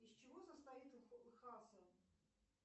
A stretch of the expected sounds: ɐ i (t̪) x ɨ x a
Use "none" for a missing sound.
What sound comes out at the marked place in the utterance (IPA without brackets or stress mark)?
t̪